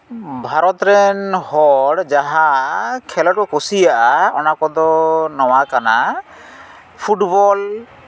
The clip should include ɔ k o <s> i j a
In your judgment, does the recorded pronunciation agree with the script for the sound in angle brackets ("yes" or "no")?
yes